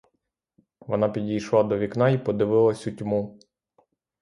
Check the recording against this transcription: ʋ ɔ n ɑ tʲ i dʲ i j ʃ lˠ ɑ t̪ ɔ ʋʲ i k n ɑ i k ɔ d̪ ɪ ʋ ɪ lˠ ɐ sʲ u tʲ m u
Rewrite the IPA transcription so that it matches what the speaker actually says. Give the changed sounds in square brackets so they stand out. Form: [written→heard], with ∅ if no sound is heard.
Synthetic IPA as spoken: ʋ ɔ n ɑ [tʲ→pʲ] i dʲ i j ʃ lˠ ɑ [t̪→d̪] ɔ ʋʲ i k n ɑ i [k→p] ɔ d̪ ɪ ʋ ɪ lˠ ɐ sʲ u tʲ m u